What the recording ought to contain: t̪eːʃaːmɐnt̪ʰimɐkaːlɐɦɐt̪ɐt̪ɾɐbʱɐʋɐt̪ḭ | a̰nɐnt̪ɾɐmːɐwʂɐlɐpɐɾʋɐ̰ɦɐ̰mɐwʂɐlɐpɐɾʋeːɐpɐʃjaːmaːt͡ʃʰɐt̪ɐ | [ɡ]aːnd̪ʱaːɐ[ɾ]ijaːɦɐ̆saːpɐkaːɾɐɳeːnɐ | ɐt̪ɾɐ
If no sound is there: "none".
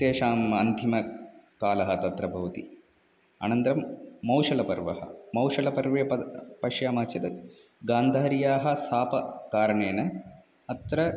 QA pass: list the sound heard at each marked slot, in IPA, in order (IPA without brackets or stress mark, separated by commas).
ɡ, ɾ